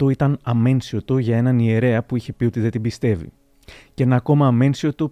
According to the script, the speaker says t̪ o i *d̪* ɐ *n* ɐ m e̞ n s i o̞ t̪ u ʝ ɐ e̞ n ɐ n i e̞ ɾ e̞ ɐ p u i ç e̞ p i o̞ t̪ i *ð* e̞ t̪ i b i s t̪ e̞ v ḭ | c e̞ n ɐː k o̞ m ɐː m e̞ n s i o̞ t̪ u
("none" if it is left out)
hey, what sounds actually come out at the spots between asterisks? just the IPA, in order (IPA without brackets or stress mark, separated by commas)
t̪, n, ð